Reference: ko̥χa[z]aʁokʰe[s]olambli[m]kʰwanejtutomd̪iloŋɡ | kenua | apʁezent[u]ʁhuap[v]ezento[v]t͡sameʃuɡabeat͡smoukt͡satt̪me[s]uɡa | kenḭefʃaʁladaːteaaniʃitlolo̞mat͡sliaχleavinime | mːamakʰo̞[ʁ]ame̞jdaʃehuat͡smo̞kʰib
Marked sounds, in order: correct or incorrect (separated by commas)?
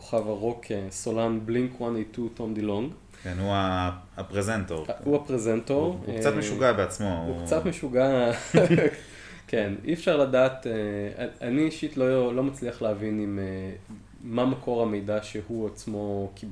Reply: incorrect, correct, incorrect, incorrect, incorrect, incorrect, incorrect, correct